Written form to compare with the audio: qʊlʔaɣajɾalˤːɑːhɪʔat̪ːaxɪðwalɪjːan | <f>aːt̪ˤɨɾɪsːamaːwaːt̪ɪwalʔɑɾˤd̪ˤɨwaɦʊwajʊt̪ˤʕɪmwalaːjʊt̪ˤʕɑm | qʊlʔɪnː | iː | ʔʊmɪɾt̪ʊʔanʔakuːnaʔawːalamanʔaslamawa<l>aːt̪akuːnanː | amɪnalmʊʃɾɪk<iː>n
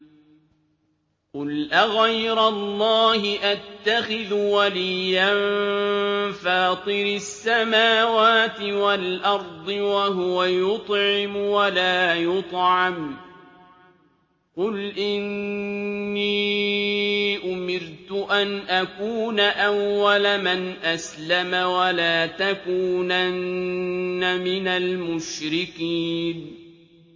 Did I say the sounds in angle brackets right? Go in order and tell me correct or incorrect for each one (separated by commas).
correct, correct, correct